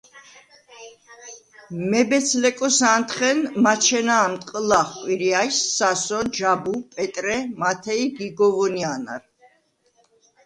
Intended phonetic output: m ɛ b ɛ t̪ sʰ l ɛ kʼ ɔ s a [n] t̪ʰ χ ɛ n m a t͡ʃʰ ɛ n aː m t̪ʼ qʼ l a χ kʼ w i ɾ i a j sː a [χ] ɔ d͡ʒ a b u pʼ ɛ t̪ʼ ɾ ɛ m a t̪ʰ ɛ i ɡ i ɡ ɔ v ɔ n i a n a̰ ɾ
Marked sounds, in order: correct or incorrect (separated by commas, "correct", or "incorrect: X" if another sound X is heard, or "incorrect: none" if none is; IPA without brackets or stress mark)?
correct, incorrect: s